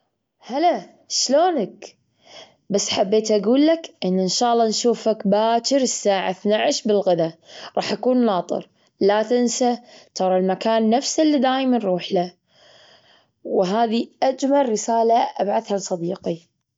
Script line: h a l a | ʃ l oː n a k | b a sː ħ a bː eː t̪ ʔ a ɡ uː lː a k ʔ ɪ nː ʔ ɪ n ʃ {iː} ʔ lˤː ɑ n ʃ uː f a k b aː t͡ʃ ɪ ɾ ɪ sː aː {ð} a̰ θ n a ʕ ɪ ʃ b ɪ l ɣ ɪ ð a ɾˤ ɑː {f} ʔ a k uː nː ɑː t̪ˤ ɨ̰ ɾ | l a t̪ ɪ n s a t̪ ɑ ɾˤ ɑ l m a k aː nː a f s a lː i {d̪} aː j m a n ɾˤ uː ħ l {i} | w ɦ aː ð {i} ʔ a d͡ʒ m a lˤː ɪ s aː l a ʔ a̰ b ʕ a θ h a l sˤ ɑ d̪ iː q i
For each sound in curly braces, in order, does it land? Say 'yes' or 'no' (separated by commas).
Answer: no, no, no, yes, no, yes